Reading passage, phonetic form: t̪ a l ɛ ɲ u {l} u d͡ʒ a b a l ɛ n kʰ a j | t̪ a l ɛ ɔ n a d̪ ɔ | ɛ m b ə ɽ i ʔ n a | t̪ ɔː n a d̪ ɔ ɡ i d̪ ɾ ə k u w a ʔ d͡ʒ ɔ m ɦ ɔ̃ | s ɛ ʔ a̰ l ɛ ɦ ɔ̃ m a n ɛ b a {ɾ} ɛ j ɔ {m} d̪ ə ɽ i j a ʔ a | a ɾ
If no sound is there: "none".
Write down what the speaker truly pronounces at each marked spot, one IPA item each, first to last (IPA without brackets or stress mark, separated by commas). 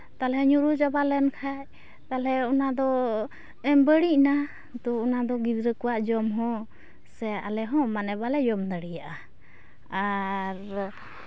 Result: ɾ, l, m